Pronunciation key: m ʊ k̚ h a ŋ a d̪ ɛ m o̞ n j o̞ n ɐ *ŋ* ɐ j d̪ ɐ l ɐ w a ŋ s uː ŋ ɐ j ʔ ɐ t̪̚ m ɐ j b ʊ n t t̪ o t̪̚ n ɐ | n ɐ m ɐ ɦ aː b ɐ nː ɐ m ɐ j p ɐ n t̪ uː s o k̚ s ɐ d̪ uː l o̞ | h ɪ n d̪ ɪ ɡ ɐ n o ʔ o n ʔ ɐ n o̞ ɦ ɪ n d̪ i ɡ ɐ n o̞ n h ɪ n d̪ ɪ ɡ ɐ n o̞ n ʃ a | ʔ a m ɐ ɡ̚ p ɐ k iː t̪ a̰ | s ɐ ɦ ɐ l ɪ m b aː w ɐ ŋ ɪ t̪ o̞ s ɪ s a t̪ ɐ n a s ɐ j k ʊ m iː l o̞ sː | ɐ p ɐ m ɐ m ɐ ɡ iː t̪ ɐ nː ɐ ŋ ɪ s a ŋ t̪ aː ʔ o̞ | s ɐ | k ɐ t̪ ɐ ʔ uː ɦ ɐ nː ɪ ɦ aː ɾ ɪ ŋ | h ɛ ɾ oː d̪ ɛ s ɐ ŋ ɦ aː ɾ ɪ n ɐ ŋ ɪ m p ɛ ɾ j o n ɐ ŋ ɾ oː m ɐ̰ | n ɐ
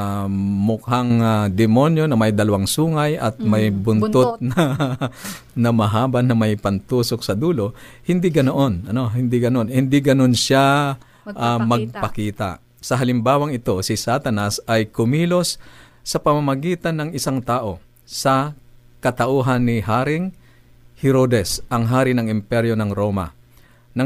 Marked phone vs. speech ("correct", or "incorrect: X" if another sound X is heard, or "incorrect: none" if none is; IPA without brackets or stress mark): incorrect: m